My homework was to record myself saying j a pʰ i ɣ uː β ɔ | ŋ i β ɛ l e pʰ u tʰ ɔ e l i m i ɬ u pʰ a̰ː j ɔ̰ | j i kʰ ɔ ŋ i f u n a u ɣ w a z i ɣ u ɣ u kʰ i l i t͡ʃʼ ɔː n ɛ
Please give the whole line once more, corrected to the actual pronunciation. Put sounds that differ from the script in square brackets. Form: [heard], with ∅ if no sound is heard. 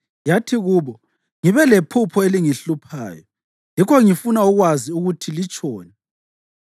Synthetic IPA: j a [tʰ] i ɣ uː β ɔ | ŋ i β ɛ l e pʰ u [pʰ] ɔ e l i [ŋ] i ɬ u pʰ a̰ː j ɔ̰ | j i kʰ ɔ ŋ i f u n a u ɣ w a z i [∅] u ɣ u [tʰ] i l i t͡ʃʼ ɔː n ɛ